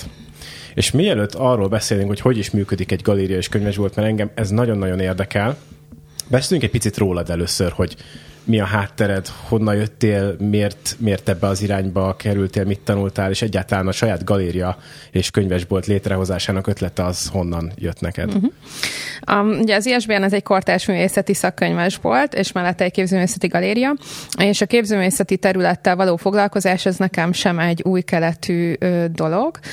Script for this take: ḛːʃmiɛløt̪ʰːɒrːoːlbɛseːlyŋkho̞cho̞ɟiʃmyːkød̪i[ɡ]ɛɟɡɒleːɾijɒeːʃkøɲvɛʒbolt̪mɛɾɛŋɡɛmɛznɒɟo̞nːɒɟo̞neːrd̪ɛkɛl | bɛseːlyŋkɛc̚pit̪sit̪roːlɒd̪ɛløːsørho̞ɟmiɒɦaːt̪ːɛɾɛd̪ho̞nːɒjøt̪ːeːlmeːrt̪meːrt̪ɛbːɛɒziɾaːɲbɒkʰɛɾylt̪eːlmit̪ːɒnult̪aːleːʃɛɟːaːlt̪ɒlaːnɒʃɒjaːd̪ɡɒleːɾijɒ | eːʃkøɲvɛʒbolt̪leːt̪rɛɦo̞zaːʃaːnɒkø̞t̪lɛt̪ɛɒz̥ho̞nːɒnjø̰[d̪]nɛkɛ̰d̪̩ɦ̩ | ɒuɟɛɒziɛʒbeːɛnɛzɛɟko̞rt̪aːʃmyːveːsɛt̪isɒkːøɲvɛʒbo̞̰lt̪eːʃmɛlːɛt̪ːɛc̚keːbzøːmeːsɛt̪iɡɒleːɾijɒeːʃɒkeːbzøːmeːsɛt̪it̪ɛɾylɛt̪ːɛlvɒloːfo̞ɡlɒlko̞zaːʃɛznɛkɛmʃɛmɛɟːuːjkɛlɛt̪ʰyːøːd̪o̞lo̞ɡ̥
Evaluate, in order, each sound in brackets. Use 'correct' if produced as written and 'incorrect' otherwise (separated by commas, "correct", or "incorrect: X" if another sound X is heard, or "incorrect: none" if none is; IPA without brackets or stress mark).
incorrect: k, incorrect: t̪